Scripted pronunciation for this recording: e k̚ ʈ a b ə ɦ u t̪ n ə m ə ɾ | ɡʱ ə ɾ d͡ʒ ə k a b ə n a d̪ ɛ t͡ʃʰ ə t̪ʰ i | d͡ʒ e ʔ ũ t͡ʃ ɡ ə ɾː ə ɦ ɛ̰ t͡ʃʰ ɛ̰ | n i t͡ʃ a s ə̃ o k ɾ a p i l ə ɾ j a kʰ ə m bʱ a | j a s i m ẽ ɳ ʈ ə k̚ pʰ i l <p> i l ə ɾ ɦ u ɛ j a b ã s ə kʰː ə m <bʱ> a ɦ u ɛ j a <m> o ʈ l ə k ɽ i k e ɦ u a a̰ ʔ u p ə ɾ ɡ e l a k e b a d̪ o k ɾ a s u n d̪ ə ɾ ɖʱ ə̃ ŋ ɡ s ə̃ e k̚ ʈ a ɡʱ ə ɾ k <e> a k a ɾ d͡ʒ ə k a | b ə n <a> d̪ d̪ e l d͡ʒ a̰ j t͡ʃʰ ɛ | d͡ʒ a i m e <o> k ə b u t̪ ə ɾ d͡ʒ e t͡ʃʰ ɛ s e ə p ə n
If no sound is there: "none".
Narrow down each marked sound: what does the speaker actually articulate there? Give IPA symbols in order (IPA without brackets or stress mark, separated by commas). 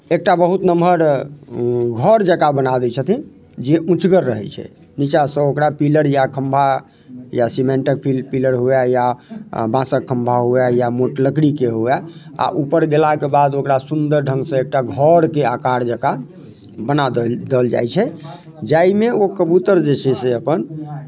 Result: p, bʱ, m, e, a, o